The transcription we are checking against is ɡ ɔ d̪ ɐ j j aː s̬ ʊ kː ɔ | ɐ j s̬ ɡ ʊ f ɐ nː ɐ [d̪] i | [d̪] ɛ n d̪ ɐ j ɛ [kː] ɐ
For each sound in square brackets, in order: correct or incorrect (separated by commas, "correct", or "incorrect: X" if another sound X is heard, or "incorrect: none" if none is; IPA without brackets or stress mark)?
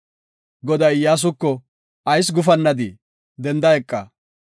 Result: correct, correct, incorrect: kʼː